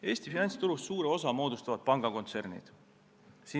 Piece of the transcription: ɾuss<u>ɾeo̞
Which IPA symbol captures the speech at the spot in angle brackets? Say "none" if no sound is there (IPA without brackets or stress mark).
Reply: uː